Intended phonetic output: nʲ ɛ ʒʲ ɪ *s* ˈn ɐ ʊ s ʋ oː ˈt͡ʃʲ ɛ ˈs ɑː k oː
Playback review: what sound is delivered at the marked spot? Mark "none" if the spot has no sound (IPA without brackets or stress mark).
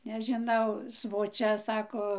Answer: none